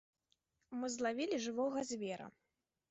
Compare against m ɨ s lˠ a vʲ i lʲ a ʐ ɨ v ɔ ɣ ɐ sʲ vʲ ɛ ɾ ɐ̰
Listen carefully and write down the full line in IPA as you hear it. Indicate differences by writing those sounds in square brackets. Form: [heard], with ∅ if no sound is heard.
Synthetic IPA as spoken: m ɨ [z] lˠ a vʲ i lʲ [i] ʐ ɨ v ɔ ɣ ɐ [zʲ] vʲ ɛ ɾ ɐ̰